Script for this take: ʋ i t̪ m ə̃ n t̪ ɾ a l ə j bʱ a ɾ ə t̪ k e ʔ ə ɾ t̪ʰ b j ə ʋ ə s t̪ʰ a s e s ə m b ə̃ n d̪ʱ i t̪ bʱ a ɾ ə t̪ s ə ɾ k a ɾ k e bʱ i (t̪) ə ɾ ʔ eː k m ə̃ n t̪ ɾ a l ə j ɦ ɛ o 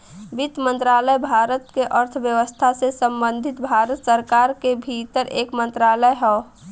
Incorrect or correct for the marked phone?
correct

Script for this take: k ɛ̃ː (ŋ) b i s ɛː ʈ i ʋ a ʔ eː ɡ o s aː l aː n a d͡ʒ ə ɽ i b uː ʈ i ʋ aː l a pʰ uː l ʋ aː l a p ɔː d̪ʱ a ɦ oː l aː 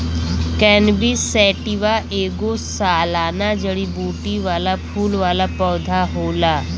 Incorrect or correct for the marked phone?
incorrect: n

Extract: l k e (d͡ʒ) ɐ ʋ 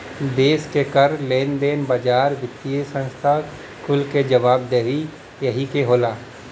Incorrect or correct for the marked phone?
correct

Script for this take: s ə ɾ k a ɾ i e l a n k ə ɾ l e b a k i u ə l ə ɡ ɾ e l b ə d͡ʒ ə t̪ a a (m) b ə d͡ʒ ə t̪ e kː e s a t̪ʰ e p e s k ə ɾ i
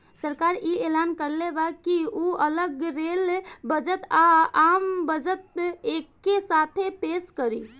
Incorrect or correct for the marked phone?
correct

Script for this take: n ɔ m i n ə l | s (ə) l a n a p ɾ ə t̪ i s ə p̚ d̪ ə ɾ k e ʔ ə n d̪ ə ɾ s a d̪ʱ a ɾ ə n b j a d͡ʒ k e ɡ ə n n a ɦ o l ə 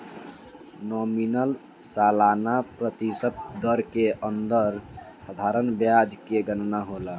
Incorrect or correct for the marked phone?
incorrect: a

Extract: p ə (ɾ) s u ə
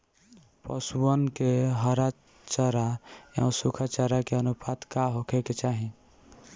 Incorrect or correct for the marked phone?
incorrect: none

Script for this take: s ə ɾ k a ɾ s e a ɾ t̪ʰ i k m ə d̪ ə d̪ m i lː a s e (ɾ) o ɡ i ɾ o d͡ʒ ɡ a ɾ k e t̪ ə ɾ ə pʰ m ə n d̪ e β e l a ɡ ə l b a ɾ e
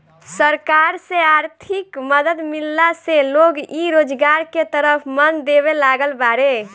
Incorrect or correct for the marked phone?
incorrect: l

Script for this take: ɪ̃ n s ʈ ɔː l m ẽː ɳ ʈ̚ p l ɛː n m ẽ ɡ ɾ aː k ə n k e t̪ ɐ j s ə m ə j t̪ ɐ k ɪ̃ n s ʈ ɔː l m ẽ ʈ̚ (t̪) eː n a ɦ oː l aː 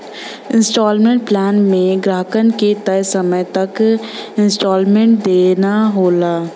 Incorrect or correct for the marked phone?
incorrect: d̪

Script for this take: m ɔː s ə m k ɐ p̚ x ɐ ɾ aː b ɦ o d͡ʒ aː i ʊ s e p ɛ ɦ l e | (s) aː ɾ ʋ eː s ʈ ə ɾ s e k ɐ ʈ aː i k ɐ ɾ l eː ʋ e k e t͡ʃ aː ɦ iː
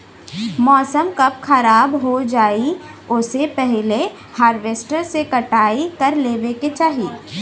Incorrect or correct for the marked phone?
incorrect: h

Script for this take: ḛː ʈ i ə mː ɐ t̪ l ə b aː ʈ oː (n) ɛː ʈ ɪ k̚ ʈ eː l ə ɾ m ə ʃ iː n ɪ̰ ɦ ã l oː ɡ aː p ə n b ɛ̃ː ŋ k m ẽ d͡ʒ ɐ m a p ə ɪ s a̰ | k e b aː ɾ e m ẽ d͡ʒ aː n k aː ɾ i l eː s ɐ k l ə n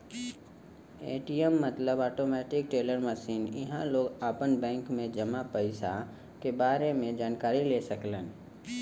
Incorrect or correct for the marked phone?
incorrect: m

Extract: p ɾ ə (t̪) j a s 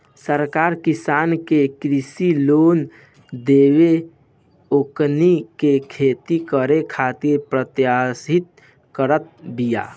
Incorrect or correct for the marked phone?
correct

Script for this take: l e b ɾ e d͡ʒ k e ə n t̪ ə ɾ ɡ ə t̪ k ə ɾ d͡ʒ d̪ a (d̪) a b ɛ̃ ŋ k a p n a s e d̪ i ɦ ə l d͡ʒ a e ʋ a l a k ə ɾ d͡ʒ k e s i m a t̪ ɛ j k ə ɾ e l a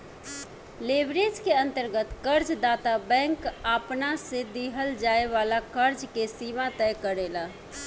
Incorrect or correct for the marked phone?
incorrect: t̪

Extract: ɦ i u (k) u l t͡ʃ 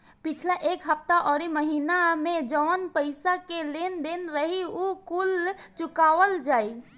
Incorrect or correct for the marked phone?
correct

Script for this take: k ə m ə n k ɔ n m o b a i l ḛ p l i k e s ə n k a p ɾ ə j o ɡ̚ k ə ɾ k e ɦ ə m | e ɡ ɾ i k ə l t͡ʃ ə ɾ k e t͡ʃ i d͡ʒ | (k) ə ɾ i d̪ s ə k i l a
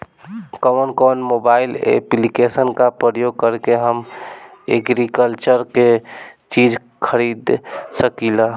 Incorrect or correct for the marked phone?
incorrect: kʰ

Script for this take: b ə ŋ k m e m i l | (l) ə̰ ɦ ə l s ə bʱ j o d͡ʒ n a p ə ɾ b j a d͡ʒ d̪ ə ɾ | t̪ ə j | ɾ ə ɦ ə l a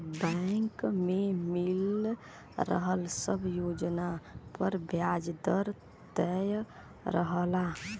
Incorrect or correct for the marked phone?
incorrect: ɾ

